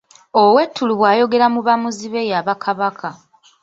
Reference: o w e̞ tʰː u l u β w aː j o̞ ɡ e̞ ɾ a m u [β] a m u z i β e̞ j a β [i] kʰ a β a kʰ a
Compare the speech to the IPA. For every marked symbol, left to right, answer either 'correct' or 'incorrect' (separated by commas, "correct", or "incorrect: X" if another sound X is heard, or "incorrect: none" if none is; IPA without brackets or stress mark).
correct, incorrect: a